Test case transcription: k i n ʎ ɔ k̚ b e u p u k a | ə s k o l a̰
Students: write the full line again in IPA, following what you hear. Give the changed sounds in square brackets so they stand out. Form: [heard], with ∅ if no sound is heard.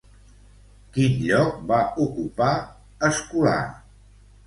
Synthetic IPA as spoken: k i n ʎ ɔ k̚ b [a] u [k] u [p] a | ə s k [u] l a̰